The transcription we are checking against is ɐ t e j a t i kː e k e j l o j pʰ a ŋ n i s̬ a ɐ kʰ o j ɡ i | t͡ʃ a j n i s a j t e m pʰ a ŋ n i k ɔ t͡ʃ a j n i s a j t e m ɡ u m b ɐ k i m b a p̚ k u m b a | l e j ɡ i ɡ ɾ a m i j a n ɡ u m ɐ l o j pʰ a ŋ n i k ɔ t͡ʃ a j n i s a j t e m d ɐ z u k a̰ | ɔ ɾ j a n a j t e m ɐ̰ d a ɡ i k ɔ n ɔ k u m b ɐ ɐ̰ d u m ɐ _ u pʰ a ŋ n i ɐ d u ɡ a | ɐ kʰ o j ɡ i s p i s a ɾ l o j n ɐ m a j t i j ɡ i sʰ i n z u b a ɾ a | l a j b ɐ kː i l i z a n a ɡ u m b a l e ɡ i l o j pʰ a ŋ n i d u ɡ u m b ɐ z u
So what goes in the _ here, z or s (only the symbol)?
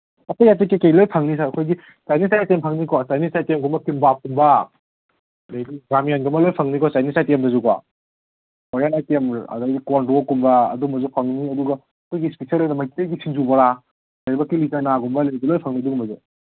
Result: z